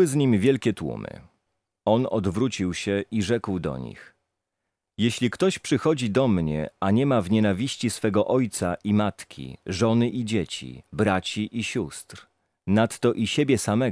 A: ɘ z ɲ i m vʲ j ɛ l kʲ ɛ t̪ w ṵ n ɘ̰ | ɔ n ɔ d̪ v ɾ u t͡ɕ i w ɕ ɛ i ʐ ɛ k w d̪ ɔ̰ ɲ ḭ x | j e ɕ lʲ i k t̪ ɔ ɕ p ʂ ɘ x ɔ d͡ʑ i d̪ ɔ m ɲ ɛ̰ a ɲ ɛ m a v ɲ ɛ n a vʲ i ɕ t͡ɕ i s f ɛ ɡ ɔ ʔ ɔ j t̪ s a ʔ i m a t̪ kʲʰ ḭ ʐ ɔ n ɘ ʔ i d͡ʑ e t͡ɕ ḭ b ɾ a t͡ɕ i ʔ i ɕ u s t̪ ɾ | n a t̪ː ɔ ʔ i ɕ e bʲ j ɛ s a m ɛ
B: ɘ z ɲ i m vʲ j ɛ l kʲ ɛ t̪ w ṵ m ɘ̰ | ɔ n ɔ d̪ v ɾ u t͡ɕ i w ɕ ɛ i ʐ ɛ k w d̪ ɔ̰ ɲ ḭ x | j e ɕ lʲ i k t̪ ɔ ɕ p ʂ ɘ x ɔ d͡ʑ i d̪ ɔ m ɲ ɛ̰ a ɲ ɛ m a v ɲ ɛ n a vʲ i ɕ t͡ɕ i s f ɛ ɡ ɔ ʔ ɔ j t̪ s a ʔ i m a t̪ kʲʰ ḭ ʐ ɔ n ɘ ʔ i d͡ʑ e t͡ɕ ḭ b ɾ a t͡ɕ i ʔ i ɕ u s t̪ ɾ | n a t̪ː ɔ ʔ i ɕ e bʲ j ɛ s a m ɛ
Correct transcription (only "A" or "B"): B